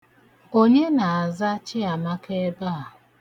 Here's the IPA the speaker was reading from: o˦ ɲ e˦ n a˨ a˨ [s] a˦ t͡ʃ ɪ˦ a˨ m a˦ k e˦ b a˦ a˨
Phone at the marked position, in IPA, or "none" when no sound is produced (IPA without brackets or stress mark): z